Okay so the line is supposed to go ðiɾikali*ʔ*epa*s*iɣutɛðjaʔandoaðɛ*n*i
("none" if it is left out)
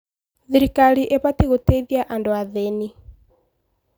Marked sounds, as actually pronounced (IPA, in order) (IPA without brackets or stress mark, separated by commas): ʔ, t, n